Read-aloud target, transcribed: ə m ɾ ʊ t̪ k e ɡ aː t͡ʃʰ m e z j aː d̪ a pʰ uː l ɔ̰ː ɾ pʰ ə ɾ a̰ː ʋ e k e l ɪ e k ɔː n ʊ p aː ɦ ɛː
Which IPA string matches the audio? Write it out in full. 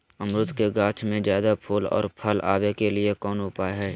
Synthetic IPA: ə m ɾ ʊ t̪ k e ɡ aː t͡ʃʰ m ẽ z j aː d̪ a pʰ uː l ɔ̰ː ɾ pʰ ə l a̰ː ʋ e k e l ɪ e k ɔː n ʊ p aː ɦ ɛː